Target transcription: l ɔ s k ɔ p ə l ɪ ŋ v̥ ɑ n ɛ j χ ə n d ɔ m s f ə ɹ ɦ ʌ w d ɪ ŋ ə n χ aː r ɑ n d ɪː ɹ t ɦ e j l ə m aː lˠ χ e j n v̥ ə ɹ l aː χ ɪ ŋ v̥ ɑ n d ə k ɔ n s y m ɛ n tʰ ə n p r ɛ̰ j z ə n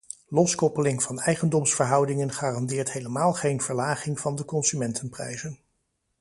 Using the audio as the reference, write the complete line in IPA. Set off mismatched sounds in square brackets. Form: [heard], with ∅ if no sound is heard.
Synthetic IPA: l ɔ s k ɔ p ə l ɪ ŋ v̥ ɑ n ɛ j χ ə n d ɔ m s f ə ɹ ɦ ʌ w d ɪ ŋ ə n χ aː r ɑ n d ɪː ɹ t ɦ e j l ə m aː lˠ χ e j n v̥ ə ɹ l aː χ ɪ ŋ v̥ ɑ n d ə k ɔ n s y m ɛ n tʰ ə n p r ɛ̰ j z ə n